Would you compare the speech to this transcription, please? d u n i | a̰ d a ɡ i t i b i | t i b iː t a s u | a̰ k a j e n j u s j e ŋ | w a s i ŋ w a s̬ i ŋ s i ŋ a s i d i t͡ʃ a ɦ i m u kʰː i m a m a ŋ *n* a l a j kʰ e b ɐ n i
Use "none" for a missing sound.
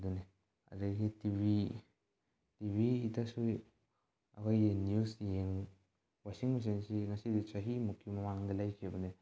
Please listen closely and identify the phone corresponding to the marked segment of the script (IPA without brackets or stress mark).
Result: d